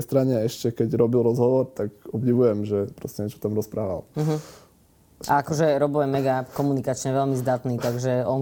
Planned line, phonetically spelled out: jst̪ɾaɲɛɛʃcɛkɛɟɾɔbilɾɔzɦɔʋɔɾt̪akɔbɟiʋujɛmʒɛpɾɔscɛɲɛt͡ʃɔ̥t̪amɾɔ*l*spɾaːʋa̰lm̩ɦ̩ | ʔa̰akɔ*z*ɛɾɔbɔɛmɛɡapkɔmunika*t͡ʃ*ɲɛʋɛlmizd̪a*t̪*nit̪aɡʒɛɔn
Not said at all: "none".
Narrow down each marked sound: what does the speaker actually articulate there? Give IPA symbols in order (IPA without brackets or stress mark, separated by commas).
none, ʒ, t͡ʃ, t̪